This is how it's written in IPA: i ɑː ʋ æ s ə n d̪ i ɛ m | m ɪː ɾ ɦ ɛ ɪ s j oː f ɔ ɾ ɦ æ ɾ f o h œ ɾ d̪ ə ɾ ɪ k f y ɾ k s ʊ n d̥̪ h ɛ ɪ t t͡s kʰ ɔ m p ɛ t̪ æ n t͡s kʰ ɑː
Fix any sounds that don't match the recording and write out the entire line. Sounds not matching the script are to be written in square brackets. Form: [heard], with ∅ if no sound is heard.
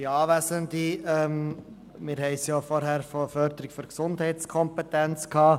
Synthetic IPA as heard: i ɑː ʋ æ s ə n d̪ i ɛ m | m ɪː ɾ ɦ ɛ ɪ s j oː f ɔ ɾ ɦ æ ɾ f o [f] œ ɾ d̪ ə ɾ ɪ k f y ɾ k s ʊ n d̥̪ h ɛ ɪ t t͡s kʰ ɔ m p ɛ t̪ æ n t͡s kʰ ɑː